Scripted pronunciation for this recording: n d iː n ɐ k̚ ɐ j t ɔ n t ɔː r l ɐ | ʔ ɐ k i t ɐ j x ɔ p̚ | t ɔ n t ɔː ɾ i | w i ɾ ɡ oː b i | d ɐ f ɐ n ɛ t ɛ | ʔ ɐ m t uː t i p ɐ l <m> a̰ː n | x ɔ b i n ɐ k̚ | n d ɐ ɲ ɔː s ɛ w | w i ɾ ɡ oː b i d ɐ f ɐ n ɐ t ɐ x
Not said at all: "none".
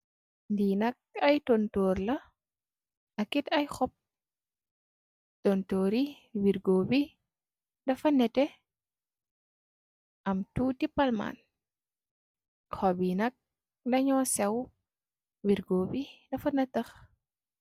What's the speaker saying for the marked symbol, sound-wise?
m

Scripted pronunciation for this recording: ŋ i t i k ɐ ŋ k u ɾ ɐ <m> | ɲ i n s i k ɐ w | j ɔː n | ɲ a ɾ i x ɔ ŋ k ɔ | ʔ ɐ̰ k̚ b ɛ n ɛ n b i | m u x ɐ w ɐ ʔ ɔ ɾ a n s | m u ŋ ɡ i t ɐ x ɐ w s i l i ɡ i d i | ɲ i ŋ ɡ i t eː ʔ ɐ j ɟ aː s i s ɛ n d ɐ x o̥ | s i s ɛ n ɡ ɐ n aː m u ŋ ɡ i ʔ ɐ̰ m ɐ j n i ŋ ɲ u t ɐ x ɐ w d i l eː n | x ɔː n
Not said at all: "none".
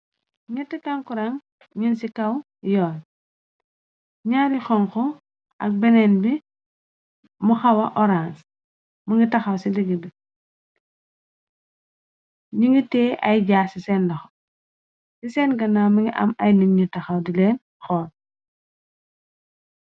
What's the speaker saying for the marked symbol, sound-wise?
ŋ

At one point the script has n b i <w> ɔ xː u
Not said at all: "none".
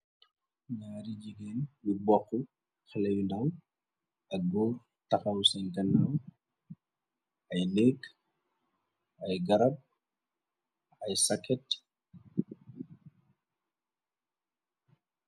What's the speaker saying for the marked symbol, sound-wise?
b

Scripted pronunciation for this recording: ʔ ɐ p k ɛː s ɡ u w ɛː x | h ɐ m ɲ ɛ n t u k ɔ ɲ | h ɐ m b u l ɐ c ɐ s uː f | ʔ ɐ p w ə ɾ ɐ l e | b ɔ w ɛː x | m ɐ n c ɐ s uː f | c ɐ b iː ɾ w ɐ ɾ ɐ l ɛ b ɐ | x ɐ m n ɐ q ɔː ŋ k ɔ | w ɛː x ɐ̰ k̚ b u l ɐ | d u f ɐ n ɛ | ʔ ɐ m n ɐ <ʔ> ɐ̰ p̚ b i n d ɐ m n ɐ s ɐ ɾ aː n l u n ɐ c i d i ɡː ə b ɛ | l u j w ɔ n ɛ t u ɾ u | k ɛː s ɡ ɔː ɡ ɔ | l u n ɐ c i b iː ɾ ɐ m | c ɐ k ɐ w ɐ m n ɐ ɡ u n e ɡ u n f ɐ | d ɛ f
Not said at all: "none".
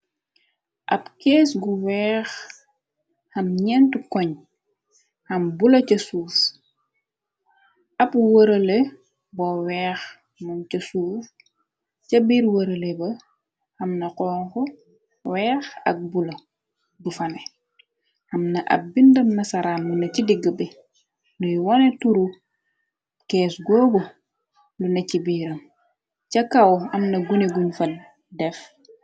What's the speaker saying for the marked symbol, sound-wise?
ʔ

